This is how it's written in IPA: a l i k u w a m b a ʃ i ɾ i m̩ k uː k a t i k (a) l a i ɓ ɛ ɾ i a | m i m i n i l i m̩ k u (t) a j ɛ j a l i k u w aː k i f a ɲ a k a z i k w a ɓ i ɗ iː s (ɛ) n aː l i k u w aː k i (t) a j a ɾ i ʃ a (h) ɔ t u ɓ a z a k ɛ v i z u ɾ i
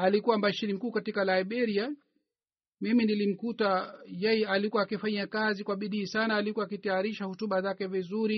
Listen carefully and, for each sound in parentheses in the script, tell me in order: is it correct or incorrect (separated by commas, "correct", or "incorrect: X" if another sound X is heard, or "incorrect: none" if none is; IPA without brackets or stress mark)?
correct, correct, incorrect: a, correct, correct